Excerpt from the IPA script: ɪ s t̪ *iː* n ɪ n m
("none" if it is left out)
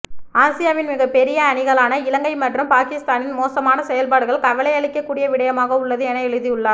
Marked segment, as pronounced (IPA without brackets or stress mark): aː